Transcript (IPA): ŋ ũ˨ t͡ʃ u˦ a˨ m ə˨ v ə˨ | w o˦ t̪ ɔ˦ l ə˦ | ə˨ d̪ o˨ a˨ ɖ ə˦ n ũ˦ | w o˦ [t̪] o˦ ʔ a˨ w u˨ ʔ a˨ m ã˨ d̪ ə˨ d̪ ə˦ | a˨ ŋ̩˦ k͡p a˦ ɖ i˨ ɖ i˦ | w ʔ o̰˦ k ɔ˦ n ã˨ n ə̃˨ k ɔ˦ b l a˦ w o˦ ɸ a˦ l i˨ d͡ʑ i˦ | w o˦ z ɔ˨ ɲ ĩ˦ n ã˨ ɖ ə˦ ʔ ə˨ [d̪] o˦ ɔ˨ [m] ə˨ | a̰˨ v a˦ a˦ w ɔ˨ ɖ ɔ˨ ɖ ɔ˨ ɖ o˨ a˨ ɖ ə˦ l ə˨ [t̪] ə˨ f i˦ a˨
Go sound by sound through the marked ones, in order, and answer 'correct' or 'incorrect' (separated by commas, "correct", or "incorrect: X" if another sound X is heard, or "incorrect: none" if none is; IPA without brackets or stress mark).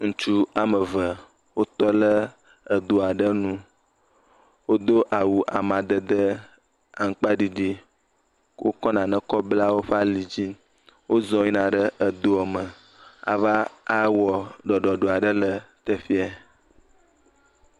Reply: incorrect: d̪, correct, correct, correct